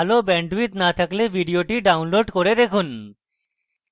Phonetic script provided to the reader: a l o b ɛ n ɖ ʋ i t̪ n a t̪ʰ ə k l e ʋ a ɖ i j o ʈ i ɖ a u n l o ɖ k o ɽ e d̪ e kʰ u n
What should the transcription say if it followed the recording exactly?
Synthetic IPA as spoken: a l o b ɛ ɳ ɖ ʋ i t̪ n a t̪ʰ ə k l e ʋ i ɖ i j o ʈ i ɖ a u n l o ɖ k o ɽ e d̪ e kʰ u n